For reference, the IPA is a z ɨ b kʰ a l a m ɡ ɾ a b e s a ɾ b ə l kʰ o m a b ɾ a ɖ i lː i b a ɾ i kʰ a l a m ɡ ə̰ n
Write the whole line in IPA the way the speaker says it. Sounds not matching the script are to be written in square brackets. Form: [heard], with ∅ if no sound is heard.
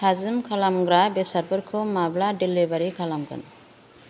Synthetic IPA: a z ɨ [m] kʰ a l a m ɡ ɾ a b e s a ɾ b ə [ɾ] kʰ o m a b [l] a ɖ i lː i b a ɾ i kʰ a l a m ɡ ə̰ n